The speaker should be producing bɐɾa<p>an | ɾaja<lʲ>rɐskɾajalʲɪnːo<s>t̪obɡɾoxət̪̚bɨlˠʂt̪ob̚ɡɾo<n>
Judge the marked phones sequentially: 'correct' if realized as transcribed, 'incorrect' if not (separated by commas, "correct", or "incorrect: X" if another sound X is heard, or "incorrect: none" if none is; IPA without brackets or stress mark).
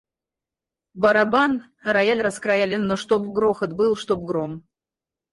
incorrect: b, correct, incorrect: ʂ, incorrect: m